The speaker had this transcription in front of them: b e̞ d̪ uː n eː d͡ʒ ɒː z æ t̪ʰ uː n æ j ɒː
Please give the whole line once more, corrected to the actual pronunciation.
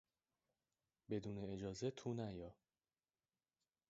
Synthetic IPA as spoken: b e̞ d̪ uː n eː d͡ʒ ɒː z e t̪ʰ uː n æ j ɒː